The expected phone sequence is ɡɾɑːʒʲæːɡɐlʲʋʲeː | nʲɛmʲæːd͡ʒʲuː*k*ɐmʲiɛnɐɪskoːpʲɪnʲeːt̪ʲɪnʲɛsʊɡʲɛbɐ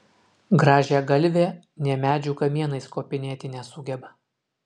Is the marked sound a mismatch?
no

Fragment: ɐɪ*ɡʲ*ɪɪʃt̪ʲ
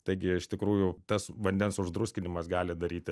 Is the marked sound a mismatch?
no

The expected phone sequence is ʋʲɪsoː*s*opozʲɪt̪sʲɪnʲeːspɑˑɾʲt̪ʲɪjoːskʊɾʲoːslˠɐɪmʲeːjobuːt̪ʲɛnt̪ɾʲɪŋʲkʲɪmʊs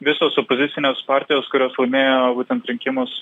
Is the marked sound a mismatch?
no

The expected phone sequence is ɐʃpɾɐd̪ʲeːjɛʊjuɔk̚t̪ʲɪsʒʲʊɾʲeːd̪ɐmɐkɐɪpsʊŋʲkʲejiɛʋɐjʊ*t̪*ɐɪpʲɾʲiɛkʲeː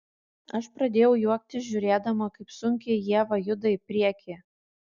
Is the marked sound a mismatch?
yes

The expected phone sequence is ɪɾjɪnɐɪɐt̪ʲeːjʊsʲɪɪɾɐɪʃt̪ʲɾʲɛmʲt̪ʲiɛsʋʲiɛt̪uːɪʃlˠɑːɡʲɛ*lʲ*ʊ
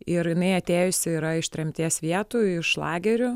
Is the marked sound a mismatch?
yes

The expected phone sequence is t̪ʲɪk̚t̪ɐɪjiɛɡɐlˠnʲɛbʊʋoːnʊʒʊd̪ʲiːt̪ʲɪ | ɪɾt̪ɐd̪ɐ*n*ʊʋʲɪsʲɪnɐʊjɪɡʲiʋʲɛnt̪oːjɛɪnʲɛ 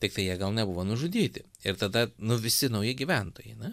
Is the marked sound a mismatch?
no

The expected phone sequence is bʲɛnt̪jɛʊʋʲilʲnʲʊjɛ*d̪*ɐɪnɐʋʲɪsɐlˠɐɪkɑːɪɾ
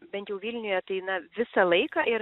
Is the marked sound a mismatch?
yes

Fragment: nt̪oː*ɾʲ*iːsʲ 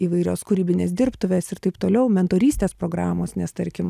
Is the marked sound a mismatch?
no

